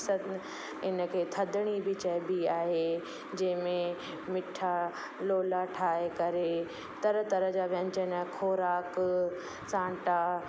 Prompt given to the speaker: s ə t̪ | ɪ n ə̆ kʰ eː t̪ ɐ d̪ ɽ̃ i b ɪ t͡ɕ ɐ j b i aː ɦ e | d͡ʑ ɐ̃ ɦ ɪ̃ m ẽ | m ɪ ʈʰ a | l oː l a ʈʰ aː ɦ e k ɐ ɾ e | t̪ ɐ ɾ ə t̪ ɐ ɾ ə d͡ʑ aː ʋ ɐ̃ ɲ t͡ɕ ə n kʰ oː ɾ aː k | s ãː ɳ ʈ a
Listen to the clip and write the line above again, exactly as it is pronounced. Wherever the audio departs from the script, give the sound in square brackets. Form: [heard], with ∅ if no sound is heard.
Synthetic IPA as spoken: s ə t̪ | ɪ n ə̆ kʰ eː [t̪ʰ] ɐ d̪ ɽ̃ i b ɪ t͡ɕ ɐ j b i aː ɦ e | d͡ʑ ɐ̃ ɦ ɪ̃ m ẽ | m ɪ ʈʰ a | l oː l a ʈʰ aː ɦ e k ɐ ɾ e | t̪ ɐ ɾ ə t̪ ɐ ɾ ə d͡ʑ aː ʋ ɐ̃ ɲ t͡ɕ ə n kʰ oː ɾ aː k | s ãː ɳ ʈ a